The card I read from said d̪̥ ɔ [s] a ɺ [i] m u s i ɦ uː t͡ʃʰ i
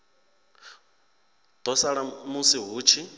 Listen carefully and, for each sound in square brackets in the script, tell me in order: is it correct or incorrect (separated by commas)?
correct, incorrect